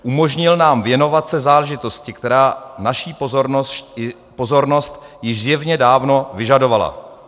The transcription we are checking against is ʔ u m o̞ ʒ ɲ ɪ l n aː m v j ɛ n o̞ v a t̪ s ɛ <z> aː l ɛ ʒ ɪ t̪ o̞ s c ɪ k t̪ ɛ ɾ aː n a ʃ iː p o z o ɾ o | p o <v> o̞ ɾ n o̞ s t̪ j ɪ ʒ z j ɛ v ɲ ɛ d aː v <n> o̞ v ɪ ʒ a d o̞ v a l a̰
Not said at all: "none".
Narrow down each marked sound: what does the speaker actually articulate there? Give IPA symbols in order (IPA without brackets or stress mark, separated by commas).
z, z, n